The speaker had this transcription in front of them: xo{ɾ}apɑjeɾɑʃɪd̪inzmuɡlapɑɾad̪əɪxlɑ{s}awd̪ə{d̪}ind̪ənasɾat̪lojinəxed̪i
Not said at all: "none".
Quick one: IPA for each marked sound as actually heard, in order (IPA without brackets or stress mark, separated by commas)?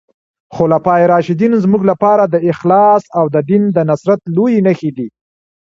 l, s, d̪